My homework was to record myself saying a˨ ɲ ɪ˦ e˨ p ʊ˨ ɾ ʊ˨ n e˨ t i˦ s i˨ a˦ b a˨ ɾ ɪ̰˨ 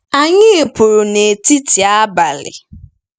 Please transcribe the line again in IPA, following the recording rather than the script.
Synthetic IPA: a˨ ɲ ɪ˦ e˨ p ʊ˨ ɾ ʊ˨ n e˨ t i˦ t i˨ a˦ b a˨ l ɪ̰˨